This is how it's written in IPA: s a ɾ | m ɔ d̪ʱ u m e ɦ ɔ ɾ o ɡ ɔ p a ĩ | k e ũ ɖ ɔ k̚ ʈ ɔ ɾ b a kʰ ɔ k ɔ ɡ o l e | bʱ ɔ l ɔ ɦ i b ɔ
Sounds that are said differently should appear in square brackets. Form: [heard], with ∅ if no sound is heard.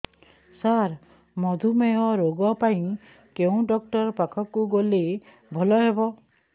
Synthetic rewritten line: s a ɾ | m ɔ d̪ʱ u m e ɦ ɔ ɾ o ɡ ɔ p a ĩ | k e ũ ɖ ɔ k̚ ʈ ɔ ɾ [p] a kʰ ɔ k [u] ɡ o l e | bʱ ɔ l ɔ ɦ [e] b ɔ

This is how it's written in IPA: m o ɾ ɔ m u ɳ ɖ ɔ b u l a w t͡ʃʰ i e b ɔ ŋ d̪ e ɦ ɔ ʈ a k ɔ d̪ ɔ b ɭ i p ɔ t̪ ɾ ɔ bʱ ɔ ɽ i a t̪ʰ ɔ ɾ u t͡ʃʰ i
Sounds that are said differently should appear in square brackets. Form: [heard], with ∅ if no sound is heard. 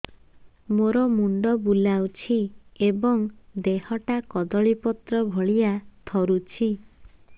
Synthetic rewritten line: m o ɾ ɔ m u ɳ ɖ ɔ b u l a w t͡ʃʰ i e b ɔ ŋ d̪ e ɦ ɔ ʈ a k ɔ d̪ ɔ [∅] ɭ i p ɔ t̪ ɾ ɔ bʱ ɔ [ɭ] i a t̪ʰ ɔ ɾ u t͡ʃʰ i

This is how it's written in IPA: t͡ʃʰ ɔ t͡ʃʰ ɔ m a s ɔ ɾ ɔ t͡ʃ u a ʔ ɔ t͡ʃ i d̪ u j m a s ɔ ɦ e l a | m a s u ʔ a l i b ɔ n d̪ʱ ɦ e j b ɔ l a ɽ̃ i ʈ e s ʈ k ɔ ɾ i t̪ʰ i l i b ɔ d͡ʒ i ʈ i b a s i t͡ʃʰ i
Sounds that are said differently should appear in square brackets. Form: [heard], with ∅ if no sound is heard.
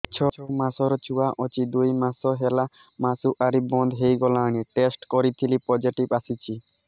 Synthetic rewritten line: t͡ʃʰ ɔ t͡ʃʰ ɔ m a s ɔ ɾ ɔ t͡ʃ u a ʔ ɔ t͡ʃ i d̪ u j m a s ɔ ɦ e l a | m a s u ʔ a [ɾ] i b ɔ n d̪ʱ ɦ e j [ɡ] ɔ l a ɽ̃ i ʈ e s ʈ k ɔ ɾ i t̪ʰ i l i [p] ɔ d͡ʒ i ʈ i b a s i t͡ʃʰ i

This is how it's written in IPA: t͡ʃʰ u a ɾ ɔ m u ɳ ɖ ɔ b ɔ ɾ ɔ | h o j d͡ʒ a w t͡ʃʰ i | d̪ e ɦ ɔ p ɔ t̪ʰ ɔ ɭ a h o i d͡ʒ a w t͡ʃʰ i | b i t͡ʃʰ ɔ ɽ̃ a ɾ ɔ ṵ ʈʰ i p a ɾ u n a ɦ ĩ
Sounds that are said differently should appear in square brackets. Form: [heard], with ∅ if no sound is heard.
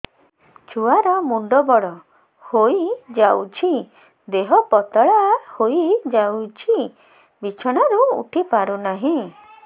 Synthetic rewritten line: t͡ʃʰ u a ɾ ɔ m u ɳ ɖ ɔ b ɔ [ɽ] ɔ | h o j d͡ʒ a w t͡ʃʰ i | d̪ e ɦ ɔ p ɔ [t̪] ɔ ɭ a h o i d͡ʒ a w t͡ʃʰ i | b i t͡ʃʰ ɔ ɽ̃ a ɾ [u] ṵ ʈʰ i p a ɾ u n a ɦ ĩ

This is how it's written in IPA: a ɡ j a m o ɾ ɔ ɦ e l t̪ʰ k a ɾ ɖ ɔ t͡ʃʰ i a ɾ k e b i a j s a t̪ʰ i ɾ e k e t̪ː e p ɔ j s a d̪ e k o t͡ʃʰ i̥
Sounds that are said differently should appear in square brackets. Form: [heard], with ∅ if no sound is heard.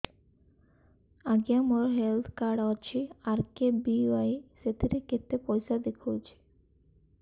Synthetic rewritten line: a ɡ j a m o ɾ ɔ ɦ e l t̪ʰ k a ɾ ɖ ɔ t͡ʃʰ i a ɾ k e b i a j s [e] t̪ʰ i ɾ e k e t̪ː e p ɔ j s a d̪ e [kʰ] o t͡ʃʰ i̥

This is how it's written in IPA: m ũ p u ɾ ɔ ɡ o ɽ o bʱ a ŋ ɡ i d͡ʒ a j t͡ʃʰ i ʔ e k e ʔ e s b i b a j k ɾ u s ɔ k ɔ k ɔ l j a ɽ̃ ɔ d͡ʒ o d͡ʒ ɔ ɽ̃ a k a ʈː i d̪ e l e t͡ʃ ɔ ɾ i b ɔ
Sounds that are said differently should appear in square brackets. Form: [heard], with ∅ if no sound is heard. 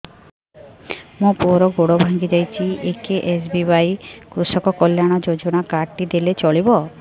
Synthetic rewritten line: m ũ p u ɾ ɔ ɡ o ɽ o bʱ a ŋ ɡ i d͡ʒ a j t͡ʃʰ i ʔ e k e ʔ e s b i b a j k ɾ u s ɔ k ɔ k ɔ l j a ɽ̃ ɔ d͡ʒ o d͡ʒ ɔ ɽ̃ a k a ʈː i d̪ e l e t͡ʃ ɔ [ɭ] i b ɔ

